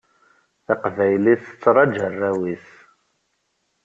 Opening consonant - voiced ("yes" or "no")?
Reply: no